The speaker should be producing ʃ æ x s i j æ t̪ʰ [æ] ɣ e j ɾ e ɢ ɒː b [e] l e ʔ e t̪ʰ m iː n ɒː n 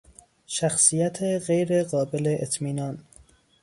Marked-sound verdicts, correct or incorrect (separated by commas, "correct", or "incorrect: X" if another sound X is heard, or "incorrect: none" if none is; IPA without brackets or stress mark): incorrect: e, correct